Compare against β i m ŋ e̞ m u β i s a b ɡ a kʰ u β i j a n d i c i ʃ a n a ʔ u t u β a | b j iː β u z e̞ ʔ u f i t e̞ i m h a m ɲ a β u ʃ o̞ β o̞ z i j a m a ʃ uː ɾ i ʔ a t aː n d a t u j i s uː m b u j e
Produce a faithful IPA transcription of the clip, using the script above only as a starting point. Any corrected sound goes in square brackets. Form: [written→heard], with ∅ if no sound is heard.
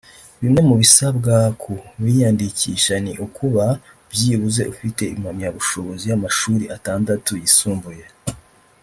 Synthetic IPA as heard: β i m ŋ e̞ m u β i s a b ɡ a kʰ u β i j a n d i c i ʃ a n [a→i] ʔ u [t→k] u β a | b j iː β u z e̞ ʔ u f i t e̞ i m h a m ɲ a β u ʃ o̞ β o̞ z i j a m a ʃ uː ɾ i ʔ a t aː n d a t u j i s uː m b u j e